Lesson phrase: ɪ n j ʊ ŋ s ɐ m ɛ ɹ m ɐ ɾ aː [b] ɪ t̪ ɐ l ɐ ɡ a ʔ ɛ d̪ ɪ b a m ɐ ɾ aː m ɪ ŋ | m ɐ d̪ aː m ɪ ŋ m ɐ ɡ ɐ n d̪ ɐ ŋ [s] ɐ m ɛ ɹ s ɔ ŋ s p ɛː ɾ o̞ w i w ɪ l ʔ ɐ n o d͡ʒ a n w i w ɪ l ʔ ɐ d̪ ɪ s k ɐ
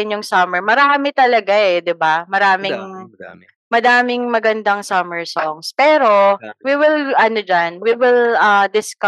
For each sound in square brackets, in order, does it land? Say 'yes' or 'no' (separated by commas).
no, yes